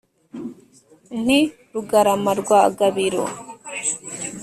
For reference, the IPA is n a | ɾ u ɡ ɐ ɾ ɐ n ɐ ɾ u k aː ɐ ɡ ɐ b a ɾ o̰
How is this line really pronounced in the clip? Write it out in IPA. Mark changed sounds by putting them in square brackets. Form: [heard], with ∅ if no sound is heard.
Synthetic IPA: n [i] | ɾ u ɡ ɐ ɾ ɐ [m] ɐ ɾ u [ɡ] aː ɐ ɡ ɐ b [i] ɾ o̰